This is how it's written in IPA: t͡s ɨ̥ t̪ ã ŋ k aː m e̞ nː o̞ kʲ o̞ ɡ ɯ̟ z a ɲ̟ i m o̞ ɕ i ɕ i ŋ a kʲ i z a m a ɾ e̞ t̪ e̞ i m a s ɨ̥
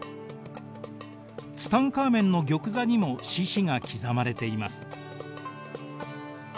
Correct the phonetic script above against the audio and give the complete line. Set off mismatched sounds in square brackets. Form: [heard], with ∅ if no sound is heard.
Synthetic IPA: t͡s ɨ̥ t̪ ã ŋ k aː m [ẽ̞] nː o̞ [ɡʲ] o̞ [k] ɯ̟ z a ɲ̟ i m o̞ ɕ i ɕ i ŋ a kʲ i z a m a ɾ e̞ t̪ e̞ i m a s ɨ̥